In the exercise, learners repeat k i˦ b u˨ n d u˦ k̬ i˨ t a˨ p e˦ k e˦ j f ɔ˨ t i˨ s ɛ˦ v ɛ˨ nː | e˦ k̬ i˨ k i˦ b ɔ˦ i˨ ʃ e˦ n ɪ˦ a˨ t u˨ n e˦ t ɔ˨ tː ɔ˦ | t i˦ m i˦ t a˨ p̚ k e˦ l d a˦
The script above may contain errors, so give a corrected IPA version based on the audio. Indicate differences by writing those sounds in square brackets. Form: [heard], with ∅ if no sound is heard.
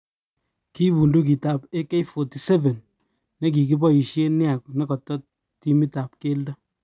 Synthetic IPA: k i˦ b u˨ n d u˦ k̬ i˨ t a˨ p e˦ k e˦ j f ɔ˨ t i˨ s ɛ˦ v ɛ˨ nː | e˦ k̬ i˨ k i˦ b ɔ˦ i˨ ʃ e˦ n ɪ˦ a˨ [k] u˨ n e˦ [k] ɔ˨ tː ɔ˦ | t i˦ m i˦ t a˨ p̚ k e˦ l d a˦